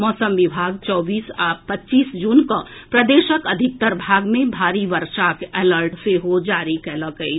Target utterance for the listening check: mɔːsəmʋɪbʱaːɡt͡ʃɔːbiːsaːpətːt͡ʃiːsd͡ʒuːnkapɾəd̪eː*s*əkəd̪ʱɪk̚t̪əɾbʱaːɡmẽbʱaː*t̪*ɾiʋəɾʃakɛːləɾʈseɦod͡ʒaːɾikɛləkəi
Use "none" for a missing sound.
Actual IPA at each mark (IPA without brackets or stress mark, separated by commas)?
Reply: ʃ, none